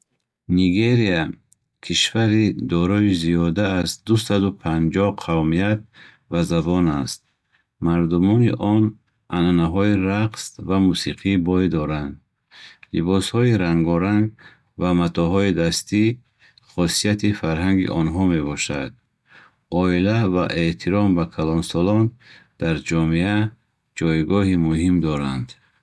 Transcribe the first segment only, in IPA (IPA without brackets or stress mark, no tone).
n